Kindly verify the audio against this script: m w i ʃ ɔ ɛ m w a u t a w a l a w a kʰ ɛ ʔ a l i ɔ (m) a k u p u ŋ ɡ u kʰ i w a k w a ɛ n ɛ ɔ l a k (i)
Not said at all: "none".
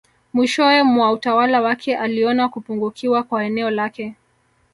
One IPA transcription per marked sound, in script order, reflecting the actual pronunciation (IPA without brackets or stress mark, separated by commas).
n, ɛ